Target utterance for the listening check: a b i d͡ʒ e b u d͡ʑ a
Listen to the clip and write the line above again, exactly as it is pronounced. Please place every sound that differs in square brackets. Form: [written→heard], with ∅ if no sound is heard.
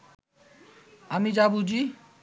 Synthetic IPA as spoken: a [b→m] i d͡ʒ [e→a] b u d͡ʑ [a→i]